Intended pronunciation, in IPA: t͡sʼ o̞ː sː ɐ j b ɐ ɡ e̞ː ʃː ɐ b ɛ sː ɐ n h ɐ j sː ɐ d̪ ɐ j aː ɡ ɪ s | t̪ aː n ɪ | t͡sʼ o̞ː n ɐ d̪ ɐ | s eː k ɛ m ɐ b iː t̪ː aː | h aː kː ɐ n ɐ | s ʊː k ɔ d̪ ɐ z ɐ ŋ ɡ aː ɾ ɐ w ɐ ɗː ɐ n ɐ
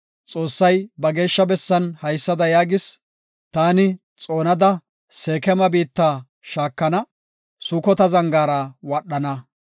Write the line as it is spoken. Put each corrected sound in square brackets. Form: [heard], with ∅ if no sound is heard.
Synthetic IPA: t͡sʼ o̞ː sː ɐ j b ɐ ɡ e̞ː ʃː ɐ b ɛ sː ɐ n h ɐ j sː ɐ d̪ ɐ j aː ɡ ɪ s | t̪ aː n ɪ | t͡sʼ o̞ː n ɐ d̪ ɐ | s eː k ɛ m ɐ b iː t̪ː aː | [ʃ] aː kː ɐ n ɐ | s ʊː k ɔ [t̪] ɐ z ɐ ŋ ɡ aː ɾ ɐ w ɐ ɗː ɐ n ɐ